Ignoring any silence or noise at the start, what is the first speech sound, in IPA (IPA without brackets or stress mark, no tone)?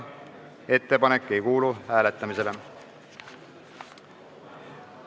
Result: e̞